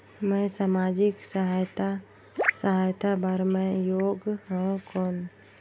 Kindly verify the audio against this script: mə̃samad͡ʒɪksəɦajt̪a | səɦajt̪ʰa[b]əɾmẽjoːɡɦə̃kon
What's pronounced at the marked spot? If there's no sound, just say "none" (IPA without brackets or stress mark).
b